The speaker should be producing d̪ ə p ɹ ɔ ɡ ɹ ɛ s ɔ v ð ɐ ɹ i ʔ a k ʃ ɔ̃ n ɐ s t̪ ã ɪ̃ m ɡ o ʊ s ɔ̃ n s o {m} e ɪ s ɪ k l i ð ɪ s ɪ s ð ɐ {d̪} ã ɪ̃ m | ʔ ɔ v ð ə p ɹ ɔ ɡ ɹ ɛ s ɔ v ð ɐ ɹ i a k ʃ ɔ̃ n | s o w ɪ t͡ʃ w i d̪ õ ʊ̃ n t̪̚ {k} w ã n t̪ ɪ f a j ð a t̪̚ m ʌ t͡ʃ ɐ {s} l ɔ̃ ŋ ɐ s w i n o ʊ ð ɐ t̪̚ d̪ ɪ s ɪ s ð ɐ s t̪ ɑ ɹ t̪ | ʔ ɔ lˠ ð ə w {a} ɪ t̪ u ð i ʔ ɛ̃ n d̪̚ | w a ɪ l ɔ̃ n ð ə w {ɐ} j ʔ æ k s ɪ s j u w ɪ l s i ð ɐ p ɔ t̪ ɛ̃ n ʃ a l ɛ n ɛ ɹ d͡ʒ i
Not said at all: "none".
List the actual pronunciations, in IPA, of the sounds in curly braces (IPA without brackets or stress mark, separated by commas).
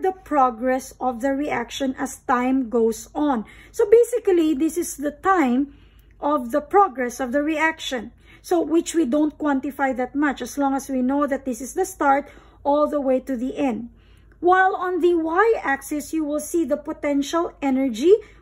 b, t̪, k, s, e, a